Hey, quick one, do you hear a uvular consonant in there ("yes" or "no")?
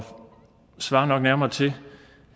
no